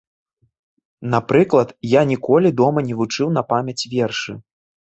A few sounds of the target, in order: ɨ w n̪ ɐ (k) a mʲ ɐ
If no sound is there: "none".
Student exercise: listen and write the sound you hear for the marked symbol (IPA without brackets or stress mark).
p